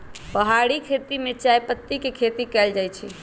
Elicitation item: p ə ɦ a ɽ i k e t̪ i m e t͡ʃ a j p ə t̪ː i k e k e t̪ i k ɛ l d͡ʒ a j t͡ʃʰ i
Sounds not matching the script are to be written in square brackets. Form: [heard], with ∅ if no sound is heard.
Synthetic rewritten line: p ə ɦ a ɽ i [kʰ] e t̪ i m e t͡ʃ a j p ə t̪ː i k e [kʰ] e t̪ i k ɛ l d͡ʒ a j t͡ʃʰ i